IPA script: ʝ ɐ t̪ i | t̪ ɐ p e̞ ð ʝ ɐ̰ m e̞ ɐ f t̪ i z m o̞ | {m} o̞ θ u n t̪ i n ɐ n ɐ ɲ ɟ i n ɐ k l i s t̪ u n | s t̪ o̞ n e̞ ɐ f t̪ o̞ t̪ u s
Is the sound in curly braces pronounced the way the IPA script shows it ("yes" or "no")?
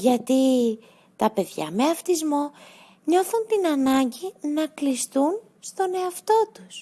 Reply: no